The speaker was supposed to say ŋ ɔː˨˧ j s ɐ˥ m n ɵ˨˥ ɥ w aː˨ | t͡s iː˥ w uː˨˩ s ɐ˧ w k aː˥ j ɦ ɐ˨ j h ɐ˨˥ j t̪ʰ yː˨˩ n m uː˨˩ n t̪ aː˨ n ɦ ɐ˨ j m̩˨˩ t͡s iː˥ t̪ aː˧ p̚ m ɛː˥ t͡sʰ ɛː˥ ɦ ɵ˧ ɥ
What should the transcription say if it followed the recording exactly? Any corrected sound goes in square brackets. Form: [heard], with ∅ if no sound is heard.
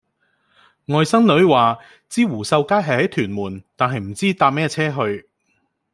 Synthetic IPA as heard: ŋ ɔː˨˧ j s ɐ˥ [ŋ] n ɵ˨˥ ɥ w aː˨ | t͡s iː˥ w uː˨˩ s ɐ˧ w k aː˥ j ɦ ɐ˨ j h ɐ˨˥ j t̪ʰ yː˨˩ n m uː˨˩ n t̪ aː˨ n ɦ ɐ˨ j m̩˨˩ t͡s iː˥ t̪ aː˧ p̚ m ɛː˥ t͡sʰ ɛː˥ ɦ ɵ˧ ɥ